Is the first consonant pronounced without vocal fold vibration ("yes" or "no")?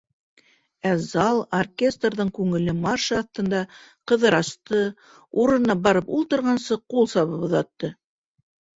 no